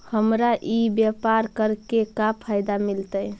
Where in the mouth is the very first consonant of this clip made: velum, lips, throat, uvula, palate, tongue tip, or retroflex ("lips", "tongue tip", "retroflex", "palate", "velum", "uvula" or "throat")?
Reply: throat